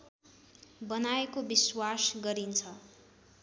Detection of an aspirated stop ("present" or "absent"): present